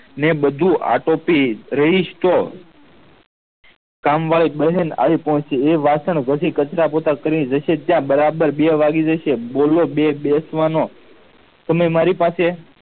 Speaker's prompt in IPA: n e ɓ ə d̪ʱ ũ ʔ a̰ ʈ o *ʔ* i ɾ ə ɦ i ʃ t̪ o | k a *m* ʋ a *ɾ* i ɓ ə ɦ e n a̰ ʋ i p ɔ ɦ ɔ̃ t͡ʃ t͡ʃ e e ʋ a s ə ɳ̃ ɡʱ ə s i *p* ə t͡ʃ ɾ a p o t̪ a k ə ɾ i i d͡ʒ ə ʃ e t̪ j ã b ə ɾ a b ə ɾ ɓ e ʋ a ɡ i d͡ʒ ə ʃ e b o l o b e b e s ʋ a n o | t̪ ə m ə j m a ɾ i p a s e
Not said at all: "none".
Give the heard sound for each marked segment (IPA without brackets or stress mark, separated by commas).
p, m, ɭ, k